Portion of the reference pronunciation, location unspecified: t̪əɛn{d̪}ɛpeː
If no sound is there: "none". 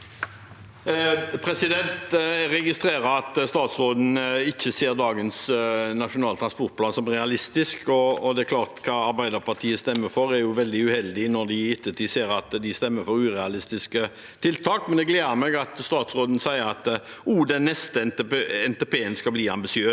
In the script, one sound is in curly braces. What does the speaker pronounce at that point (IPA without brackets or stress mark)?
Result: t̪